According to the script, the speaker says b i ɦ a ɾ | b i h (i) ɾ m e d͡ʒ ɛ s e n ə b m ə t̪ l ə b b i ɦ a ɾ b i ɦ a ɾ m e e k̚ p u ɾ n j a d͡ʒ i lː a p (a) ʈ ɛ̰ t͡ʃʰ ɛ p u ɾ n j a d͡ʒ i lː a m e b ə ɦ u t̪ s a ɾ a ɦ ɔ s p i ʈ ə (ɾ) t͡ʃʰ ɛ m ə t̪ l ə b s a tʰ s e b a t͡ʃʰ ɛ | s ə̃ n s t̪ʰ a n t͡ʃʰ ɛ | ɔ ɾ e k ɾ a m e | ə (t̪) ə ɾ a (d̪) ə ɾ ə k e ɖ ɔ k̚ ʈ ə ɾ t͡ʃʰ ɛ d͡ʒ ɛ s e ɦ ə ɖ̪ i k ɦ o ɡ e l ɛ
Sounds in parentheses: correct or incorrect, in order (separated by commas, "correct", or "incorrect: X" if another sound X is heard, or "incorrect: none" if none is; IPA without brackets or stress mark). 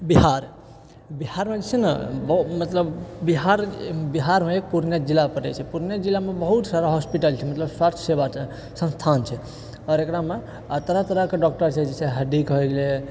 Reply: incorrect: a, incorrect: ə, incorrect: l, correct, incorrect: t̪